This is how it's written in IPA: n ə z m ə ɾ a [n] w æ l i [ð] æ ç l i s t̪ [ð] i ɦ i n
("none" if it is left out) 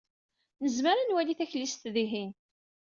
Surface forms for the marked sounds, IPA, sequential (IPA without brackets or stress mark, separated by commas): n, θ, ð